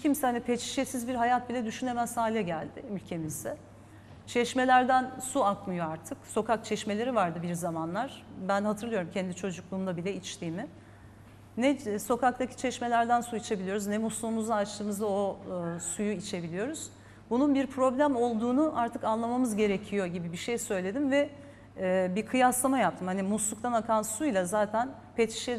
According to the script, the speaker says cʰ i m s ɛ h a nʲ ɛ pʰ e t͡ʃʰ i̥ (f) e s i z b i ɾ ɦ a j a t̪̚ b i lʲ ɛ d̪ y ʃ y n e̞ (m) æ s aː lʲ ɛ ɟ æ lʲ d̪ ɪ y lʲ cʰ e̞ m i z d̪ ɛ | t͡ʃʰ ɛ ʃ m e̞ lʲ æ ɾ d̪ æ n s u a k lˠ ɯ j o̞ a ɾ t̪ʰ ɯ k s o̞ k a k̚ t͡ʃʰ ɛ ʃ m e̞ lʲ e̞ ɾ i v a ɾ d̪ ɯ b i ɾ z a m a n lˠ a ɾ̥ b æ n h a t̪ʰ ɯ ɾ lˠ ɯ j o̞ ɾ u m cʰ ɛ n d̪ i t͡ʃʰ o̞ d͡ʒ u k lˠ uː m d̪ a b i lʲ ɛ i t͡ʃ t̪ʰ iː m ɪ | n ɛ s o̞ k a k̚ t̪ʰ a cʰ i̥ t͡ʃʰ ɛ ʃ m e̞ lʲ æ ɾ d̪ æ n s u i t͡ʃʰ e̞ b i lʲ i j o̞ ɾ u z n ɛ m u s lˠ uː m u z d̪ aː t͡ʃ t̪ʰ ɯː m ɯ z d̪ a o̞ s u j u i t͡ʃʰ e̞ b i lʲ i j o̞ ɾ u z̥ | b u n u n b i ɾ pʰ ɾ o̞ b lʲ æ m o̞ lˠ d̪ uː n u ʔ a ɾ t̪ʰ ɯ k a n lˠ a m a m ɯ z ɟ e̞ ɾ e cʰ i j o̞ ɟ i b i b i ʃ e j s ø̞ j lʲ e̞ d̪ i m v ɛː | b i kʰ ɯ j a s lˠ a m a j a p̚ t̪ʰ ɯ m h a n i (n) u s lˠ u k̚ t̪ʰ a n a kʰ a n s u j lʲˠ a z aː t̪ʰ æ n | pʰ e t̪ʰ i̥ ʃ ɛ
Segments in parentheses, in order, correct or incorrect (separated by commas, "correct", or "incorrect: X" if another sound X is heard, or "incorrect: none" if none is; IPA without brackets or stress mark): incorrect: ʃ, correct, incorrect: m